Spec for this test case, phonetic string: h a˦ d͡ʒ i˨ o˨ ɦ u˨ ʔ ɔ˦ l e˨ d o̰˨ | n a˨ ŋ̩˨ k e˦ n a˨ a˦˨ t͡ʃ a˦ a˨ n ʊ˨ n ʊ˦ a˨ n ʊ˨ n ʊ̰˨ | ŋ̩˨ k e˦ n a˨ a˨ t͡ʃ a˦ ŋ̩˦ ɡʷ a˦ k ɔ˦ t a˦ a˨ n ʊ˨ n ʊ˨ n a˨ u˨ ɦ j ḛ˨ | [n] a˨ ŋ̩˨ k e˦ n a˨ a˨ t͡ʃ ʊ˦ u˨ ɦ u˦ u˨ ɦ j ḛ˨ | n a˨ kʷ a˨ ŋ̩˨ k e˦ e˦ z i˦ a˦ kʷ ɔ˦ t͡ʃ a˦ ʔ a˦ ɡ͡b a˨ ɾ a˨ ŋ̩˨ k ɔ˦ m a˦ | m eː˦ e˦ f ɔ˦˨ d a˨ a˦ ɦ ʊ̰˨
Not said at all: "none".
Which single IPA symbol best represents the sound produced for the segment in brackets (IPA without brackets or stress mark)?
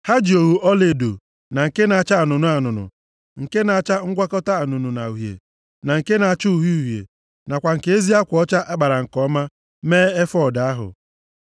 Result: n